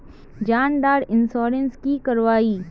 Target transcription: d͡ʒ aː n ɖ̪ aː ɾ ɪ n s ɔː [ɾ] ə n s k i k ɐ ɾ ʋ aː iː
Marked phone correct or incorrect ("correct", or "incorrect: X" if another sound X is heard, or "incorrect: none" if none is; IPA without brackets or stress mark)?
correct